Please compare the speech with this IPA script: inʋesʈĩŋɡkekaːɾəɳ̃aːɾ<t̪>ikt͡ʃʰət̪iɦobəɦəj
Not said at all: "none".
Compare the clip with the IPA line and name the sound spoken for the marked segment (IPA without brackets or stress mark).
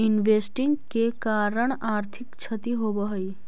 t̪ʰ